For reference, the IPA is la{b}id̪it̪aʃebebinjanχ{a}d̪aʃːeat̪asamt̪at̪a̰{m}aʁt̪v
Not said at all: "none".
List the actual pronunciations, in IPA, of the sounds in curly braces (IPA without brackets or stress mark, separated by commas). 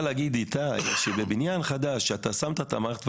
ɡ, a, m